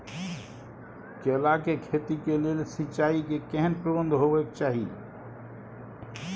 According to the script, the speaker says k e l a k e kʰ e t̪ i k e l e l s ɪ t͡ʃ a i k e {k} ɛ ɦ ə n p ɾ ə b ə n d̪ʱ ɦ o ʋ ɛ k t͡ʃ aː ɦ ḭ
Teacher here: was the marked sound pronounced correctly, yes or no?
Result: yes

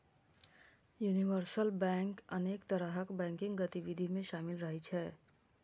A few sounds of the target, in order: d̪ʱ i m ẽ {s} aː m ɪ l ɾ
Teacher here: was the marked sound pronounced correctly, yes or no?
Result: no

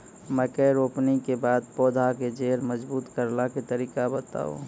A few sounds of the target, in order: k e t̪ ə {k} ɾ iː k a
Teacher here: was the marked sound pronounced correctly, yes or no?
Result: no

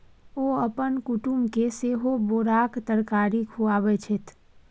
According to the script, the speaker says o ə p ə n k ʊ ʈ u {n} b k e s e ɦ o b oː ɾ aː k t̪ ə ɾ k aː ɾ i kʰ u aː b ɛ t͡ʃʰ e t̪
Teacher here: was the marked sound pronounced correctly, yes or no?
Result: no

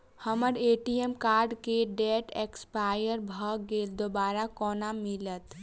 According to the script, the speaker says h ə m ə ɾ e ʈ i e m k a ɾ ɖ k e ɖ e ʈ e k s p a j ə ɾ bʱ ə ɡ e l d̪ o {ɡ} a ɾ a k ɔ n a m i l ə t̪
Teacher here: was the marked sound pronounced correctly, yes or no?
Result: no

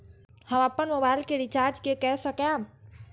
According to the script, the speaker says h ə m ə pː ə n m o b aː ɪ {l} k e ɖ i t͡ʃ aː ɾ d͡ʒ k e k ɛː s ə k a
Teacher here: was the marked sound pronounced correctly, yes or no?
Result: yes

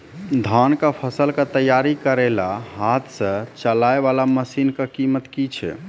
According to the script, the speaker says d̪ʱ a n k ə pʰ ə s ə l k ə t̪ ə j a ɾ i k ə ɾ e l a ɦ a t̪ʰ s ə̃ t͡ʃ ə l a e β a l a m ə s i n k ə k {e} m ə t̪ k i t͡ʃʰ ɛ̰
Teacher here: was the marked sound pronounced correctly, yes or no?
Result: no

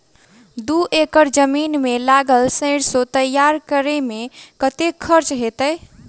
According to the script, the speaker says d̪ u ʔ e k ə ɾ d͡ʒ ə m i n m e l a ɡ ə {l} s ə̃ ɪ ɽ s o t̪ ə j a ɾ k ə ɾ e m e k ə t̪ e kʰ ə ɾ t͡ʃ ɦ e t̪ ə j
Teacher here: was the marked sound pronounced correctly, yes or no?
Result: yes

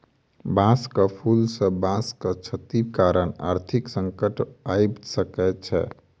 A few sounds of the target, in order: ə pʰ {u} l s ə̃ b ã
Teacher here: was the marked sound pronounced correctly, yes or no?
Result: yes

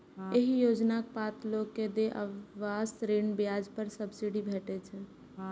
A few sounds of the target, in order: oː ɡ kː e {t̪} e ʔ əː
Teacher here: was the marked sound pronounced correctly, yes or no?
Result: no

